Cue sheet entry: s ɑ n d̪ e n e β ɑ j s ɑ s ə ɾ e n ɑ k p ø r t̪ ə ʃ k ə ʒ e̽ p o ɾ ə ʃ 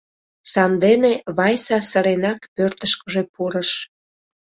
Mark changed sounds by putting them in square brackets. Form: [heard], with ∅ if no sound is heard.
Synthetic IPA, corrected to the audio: s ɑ n d̪ e n e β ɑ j s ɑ s ə ɾ e n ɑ k p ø r t̪ ə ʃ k ə ʒ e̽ p [u] ɾ ə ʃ